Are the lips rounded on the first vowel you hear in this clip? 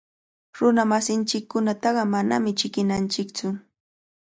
yes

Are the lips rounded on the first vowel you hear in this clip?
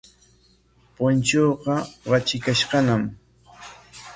yes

